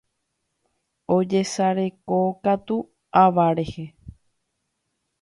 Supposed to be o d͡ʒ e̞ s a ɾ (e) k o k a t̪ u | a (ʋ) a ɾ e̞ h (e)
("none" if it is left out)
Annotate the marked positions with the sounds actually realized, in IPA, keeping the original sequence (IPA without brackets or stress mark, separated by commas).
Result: e, ʋ, e